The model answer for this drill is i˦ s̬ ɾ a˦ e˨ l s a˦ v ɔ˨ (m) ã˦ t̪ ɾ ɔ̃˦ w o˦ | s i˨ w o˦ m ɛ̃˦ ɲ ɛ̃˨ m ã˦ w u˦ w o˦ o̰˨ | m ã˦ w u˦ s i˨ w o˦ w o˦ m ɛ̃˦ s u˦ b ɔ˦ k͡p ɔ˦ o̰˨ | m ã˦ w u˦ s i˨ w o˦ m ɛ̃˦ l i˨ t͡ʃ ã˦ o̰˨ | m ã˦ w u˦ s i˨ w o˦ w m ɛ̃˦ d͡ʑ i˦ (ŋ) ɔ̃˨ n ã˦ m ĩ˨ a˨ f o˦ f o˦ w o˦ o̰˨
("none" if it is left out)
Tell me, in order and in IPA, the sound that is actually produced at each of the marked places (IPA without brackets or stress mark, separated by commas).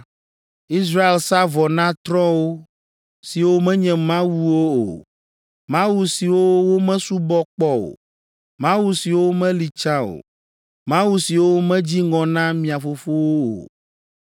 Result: n, ŋ